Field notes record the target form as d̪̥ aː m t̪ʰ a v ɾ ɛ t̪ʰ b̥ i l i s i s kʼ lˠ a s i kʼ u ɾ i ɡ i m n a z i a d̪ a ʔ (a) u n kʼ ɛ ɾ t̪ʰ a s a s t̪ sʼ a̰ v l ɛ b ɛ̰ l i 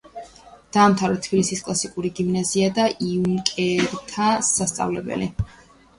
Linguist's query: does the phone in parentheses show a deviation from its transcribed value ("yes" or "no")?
yes